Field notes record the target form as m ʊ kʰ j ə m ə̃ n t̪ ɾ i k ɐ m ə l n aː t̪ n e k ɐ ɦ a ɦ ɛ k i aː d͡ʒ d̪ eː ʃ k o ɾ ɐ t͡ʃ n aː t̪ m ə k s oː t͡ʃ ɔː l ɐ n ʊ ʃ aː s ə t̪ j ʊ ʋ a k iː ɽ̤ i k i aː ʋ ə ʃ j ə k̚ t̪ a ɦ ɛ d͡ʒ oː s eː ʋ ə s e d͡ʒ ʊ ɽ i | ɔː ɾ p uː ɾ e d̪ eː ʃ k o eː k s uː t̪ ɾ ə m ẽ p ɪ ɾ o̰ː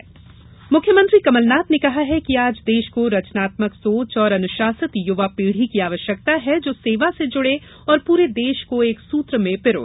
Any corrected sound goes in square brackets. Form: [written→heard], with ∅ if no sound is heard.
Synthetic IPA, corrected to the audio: m ʊ kʰ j ə m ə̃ n t̪ ɾ i k ɐ m ə l n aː t̪ n e k ɐ ɦ a ɦ ɛ k i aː d͡ʒ d̪ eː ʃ k o ɾ ɐ t͡ʃ n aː t̪ m ə k s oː t͡ʃ ɔː [l→ɾ] ɐ n ʊ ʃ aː s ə t̪ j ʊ ʋ a [k→p] iː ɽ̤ i k i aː ʋ ə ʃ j ə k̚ t̪ a ɦ ɛ d͡ʒ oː s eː ʋ [ə→a] s e d͡ʒ ʊ ɽ [i→e] | ɔː ɾ p uː ɾ e d̪ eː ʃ k o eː k s uː t̪ ɾ ə m ẽ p ɪ ɾ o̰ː